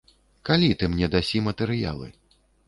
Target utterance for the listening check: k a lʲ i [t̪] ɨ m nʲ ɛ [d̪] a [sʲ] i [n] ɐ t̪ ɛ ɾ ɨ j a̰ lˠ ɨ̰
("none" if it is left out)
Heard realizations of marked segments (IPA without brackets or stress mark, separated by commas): t̪, d̪, sʲ, m